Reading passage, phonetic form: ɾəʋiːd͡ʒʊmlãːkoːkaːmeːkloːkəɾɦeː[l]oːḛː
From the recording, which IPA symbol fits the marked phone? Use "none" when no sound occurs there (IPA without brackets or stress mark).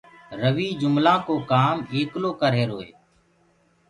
ɾ